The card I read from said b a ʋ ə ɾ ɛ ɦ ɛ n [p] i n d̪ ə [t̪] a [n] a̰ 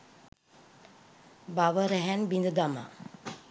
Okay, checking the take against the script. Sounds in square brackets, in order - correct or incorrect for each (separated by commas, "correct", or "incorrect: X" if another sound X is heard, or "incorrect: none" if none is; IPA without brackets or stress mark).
incorrect: b, incorrect: d̪, incorrect: m